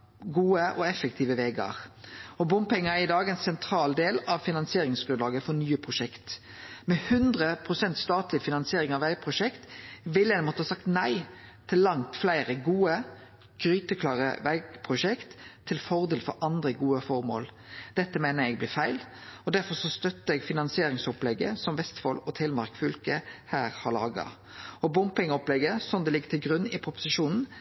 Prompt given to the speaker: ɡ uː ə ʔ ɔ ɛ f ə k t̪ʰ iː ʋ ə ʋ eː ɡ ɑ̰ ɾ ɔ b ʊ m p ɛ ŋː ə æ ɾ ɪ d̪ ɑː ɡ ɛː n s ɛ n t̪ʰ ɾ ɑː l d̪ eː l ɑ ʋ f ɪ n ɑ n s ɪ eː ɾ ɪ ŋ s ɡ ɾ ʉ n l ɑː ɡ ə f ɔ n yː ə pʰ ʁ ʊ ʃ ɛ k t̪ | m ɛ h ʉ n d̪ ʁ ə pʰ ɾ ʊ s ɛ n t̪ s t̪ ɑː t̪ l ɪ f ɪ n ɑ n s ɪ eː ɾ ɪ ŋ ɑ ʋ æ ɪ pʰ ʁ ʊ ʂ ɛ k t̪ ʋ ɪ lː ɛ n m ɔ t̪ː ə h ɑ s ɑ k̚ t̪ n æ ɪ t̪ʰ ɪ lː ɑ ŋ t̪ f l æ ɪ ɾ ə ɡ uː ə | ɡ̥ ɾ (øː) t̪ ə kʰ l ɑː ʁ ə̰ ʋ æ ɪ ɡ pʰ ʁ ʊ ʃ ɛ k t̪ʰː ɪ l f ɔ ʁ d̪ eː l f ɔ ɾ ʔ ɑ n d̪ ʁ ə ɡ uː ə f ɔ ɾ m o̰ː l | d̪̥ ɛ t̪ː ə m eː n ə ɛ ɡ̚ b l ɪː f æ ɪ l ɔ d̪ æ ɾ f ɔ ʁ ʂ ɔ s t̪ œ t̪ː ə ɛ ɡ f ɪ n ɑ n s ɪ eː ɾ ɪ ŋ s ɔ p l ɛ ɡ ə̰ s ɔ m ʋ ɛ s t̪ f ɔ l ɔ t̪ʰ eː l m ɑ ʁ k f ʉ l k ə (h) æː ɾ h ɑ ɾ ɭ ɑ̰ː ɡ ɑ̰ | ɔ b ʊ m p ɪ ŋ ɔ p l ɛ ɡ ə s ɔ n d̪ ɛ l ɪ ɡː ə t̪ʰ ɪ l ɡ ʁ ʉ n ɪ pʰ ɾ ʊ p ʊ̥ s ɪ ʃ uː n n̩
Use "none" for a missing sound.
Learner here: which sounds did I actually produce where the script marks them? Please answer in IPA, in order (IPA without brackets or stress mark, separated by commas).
yː, h